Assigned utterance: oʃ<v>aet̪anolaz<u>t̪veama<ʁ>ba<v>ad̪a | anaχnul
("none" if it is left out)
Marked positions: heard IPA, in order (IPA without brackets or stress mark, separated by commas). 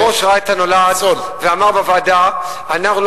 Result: ʁ, o, ʁ, v